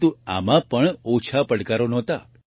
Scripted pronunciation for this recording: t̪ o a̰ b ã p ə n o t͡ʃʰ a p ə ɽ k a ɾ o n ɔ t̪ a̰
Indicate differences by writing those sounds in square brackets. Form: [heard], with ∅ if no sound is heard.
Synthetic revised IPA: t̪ [u] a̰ [m] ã p ə [ɳ] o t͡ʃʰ a p ə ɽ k a ɾ o n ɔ t̪ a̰